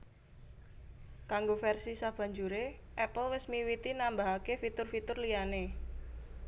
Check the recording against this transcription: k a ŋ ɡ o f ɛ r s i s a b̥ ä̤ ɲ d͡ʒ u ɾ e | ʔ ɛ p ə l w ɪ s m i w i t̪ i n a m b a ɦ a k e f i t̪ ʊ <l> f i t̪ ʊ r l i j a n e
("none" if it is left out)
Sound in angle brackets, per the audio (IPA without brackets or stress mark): r